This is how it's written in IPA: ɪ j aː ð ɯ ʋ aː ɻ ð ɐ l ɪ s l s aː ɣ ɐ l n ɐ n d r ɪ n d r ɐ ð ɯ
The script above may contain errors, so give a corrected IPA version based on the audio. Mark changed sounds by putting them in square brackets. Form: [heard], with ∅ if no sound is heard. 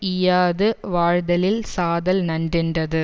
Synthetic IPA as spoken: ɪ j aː ð ɯ ʋ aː ɻ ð ɐ l ɪ [∅] l s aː [ð] ɐ l n ɐ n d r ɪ n d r ɐ ð ɯ